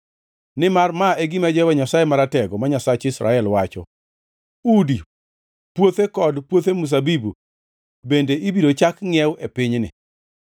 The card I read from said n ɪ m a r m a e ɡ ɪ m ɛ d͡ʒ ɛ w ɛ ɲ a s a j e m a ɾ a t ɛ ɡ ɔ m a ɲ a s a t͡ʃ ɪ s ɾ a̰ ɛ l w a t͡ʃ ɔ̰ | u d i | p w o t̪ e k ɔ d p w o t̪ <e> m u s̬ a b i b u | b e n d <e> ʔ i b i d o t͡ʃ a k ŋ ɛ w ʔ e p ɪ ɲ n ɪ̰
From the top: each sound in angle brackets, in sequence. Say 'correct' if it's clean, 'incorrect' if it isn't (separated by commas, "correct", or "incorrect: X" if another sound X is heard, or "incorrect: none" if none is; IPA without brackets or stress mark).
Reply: correct, correct